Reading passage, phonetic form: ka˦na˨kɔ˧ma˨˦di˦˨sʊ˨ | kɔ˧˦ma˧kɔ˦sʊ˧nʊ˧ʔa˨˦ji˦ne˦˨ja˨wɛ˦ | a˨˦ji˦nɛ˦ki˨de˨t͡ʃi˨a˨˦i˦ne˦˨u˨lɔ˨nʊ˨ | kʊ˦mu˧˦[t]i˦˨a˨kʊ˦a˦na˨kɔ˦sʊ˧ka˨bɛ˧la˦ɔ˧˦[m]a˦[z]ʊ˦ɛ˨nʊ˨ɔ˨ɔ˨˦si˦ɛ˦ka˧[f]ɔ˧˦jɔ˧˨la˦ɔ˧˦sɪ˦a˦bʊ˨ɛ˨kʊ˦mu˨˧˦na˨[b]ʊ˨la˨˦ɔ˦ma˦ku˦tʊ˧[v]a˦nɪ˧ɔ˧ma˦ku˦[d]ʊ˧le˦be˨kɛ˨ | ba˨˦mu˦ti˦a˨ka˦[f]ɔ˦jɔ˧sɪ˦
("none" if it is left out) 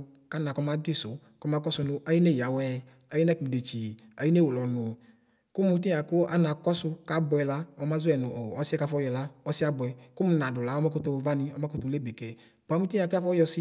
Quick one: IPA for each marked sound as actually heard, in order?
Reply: t, m, z, f, d, v, t, f

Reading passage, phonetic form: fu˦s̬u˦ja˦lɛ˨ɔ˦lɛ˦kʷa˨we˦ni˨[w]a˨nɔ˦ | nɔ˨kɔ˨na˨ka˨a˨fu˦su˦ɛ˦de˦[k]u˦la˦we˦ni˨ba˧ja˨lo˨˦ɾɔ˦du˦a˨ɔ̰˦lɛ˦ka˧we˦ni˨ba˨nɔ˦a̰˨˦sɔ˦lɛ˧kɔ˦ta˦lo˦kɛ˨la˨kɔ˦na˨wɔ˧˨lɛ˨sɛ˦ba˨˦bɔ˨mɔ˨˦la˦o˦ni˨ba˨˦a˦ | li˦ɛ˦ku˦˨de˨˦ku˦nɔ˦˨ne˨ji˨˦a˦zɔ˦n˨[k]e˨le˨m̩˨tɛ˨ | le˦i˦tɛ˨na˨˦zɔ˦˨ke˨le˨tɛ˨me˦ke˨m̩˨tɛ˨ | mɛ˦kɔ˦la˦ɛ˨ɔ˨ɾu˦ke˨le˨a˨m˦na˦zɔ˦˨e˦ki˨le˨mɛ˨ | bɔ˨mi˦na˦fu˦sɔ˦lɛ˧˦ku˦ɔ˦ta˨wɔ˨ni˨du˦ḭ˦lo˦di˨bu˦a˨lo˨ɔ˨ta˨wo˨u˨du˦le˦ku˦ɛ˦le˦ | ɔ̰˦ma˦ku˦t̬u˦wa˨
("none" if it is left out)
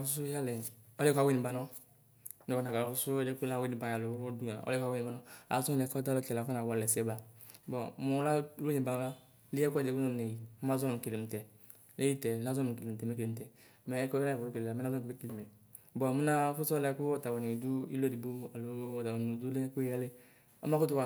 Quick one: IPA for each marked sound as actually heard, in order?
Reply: b, k, k

